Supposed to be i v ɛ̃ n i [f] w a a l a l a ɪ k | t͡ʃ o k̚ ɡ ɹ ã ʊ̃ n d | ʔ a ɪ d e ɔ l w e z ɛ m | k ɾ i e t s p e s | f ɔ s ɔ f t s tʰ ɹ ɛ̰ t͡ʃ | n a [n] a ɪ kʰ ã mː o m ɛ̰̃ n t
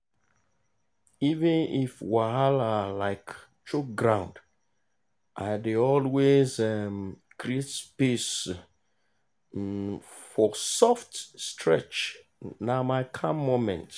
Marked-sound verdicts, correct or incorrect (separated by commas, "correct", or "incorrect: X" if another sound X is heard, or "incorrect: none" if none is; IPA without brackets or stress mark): correct, incorrect: m